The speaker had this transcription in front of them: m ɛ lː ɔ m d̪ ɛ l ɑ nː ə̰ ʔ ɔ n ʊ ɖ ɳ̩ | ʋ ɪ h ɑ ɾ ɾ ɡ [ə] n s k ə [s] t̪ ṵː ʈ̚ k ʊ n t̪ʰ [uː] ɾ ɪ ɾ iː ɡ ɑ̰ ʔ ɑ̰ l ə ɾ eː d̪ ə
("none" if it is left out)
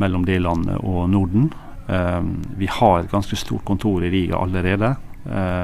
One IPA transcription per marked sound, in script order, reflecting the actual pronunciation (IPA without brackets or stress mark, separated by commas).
ɑ, s, uː